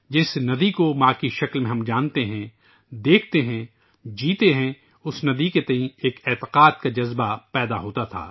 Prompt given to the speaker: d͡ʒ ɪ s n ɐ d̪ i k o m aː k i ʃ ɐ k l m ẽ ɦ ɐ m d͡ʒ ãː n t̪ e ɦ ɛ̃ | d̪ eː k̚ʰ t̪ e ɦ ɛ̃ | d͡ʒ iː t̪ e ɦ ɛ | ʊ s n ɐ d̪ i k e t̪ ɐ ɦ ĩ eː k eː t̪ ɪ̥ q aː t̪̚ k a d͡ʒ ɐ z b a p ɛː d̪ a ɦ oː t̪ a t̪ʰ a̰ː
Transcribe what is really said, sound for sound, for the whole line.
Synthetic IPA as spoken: d͡ʒ ɪ s n ɐ d̪ i k o m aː k i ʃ ɐ k l m ẽ ɦ ɐ m d͡ʒ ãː n t̪ e ɦ ɛ̃ | d̪ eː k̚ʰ t̪ e ɦ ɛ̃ | d͡ʒ iː t̪ e ɦ ɛ̃ | ʊ s n ɐ d̪ i k e t̪ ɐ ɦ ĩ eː k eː t̪ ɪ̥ q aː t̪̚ k a d͡ʒ ɐ z b a p ɛː d̪ a ɦ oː t̪ a t̪ʰ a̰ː